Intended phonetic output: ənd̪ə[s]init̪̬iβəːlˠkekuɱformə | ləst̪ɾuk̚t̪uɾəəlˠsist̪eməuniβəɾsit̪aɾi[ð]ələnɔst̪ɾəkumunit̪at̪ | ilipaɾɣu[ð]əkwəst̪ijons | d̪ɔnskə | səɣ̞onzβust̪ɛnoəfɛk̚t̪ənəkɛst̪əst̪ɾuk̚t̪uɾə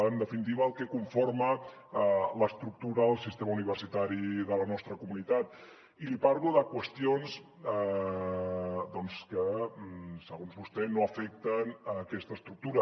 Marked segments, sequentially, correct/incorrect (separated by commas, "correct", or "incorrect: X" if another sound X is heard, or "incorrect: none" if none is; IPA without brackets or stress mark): incorrect: f, correct, correct